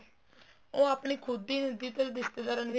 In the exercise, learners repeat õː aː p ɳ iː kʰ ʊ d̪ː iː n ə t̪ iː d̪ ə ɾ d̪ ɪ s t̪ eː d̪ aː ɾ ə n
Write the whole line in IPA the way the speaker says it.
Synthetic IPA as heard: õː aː p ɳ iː kʰ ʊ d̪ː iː n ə d̪ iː t̪ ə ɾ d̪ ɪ s t̪ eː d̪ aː ɾ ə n